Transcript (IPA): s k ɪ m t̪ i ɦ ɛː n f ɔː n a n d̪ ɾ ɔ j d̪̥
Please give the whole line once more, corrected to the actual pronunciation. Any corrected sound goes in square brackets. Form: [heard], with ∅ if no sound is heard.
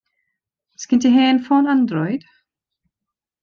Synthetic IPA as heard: s k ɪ [n] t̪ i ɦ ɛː n f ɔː n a n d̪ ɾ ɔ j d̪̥